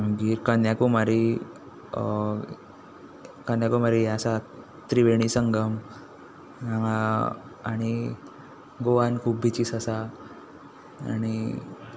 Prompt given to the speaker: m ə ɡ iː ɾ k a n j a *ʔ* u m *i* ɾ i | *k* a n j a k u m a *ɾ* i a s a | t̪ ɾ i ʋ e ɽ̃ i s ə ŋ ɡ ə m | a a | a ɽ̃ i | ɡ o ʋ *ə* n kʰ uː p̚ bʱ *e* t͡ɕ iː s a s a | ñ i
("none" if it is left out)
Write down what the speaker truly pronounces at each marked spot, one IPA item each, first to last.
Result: k, a, k, ɾ, a, i

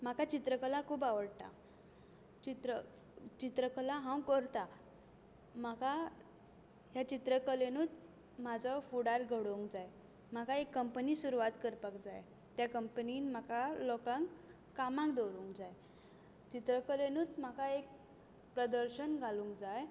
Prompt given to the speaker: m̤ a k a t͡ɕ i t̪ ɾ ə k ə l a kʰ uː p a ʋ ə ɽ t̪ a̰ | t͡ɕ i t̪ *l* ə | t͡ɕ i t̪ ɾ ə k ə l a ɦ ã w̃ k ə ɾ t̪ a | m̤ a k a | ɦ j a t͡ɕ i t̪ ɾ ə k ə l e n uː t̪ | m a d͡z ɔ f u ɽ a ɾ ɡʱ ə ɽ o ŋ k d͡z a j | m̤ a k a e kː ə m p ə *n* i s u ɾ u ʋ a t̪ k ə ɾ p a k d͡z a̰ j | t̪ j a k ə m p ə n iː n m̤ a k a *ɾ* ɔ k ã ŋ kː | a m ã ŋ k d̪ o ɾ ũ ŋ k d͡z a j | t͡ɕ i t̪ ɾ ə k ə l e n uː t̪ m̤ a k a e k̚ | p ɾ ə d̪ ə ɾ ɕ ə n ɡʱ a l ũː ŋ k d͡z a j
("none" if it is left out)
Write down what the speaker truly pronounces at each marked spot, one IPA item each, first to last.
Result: ɾ, n, l

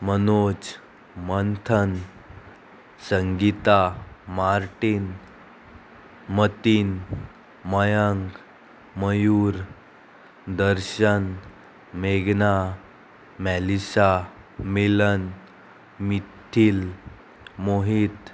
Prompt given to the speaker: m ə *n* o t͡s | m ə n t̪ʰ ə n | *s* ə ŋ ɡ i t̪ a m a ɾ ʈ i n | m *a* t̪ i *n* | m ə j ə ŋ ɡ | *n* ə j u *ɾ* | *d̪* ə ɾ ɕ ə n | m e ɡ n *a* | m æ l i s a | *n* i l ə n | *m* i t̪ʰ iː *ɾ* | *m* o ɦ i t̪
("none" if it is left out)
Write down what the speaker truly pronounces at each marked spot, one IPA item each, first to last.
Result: n, s, ə, n, m, ɾ, d̪, a, m, m, l, m

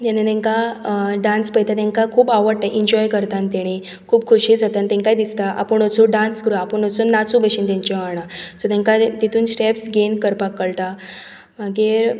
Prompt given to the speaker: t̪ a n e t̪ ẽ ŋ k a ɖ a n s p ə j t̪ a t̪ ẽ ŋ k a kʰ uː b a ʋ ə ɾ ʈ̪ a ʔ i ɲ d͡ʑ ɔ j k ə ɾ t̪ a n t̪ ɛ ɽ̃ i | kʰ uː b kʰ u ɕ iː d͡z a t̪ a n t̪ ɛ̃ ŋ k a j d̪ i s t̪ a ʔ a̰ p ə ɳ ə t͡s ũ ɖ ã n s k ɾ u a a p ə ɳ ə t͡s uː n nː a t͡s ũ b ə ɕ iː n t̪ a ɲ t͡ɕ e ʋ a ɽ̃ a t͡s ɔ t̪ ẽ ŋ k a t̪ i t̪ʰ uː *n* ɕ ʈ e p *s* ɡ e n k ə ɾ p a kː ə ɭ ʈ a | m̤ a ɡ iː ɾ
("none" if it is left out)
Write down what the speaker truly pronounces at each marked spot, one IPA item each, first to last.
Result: n, s

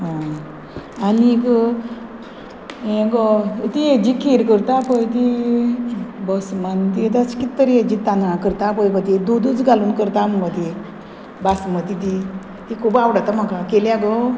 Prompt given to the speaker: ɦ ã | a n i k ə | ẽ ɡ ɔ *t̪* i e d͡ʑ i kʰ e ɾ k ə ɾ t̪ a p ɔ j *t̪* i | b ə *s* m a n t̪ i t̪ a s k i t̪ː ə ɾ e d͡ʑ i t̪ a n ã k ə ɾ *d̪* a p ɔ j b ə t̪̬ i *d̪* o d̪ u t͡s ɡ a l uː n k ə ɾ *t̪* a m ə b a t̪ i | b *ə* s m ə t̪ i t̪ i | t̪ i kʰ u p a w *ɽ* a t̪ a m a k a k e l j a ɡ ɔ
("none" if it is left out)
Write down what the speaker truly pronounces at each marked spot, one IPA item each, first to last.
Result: t̪, t̪, s, t̪, d̪, t̪, a, ɽ

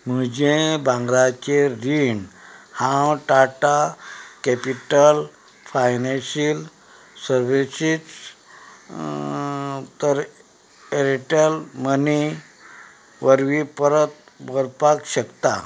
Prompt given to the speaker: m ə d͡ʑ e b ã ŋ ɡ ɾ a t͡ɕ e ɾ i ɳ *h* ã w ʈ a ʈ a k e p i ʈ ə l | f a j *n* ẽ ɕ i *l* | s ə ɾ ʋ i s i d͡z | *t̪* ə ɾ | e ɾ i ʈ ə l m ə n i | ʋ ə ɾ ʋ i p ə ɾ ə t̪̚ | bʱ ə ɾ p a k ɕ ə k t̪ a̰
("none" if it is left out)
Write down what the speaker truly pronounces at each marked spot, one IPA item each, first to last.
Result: h, n, l, t̪

